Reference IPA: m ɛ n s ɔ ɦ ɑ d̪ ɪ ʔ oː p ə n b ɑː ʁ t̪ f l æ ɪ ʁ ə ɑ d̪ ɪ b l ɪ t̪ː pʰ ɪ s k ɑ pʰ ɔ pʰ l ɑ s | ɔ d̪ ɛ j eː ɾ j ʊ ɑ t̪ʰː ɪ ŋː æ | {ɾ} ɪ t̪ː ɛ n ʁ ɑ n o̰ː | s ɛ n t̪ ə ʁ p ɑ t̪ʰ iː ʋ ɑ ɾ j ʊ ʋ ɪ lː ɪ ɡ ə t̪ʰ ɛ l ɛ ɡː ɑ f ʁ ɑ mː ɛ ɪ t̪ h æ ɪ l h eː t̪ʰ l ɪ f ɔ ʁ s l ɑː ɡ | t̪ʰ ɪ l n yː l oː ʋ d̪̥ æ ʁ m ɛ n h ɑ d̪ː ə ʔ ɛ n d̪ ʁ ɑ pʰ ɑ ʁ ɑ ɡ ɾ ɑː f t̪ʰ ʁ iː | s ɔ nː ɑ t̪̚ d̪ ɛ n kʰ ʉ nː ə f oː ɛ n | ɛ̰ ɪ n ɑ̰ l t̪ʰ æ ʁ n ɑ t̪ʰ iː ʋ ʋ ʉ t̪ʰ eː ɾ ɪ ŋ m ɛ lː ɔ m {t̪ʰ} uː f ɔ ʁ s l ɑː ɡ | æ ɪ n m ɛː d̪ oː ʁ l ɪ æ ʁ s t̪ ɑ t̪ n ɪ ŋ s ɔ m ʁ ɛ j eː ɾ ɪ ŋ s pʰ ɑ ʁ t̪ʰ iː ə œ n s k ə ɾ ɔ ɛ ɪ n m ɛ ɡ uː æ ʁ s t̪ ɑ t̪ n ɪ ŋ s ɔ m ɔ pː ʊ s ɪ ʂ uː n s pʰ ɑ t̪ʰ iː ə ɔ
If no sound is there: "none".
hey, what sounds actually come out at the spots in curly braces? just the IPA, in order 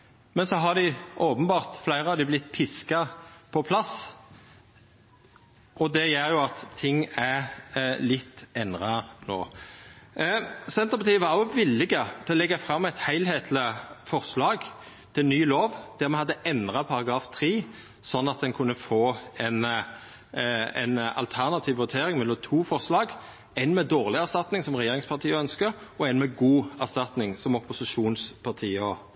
l, t̪ʰ

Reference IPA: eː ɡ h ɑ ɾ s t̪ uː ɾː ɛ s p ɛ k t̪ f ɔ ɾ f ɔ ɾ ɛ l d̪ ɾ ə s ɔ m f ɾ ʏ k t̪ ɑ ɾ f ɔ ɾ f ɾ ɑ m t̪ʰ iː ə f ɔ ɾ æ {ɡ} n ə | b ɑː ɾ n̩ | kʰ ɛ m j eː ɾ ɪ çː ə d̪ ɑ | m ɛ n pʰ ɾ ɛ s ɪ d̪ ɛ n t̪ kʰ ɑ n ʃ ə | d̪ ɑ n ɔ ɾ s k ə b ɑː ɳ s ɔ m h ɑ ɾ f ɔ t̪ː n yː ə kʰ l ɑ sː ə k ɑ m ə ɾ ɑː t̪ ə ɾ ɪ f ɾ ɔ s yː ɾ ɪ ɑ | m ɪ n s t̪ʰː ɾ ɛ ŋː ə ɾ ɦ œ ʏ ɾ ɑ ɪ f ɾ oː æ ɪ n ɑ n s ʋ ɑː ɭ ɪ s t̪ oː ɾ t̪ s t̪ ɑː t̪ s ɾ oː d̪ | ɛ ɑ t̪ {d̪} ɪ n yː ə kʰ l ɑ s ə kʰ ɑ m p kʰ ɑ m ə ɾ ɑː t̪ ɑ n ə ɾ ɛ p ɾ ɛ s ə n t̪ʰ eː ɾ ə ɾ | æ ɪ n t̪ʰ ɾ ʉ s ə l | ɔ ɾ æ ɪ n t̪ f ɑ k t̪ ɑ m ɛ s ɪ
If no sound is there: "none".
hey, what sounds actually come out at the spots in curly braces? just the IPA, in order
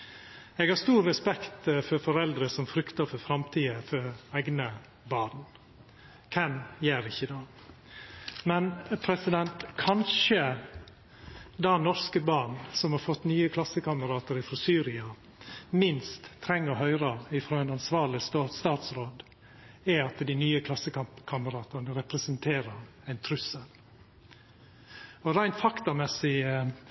ɡ, d̪

